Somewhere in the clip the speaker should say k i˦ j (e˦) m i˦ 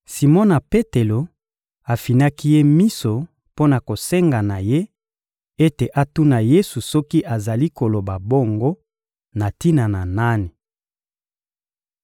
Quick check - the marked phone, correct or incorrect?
correct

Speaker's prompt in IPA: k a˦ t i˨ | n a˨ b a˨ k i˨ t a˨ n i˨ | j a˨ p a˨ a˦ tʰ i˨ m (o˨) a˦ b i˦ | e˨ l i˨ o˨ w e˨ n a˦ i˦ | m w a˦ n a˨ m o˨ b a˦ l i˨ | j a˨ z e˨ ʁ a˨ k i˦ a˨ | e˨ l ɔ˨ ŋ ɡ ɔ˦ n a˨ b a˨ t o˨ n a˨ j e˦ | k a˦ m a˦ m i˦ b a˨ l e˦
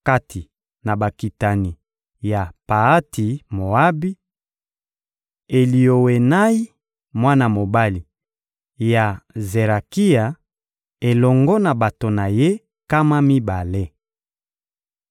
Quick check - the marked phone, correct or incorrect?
correct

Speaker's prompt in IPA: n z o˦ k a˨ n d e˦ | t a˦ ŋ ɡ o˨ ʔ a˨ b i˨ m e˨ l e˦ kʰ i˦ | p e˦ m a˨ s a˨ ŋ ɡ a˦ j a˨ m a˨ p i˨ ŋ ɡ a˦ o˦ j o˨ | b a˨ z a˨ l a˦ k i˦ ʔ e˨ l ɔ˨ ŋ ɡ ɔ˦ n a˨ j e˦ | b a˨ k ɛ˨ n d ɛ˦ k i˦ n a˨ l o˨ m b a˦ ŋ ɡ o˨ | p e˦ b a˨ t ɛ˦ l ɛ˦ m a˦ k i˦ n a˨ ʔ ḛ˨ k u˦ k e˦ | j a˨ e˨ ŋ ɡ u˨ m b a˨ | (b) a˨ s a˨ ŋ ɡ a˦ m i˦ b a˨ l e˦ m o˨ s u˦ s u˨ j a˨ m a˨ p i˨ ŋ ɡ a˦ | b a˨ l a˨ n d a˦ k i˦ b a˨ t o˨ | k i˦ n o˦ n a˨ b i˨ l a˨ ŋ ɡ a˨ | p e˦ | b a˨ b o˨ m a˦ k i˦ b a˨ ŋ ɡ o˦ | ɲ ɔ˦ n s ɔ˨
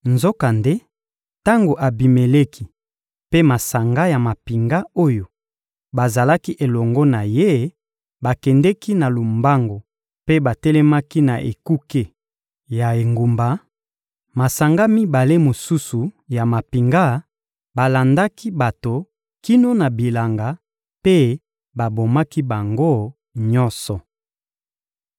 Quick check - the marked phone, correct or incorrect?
incorrect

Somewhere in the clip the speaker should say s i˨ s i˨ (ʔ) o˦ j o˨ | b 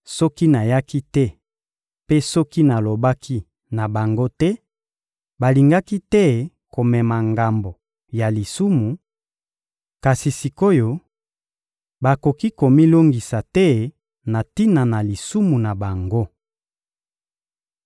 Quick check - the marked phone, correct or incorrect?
incorrect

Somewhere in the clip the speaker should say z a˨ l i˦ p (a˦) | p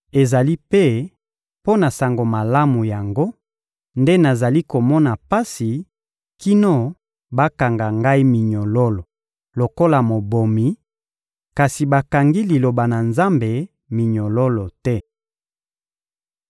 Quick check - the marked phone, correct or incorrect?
incorrect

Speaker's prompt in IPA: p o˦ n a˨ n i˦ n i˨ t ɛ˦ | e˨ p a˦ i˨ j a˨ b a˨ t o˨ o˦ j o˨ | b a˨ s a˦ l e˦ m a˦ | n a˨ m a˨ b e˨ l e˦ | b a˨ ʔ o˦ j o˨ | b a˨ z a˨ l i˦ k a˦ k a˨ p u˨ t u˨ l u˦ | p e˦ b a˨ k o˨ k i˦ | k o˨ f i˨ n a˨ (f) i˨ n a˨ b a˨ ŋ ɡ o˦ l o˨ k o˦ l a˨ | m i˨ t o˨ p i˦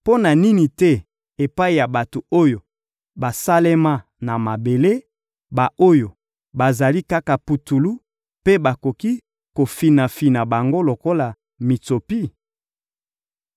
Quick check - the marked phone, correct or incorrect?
correct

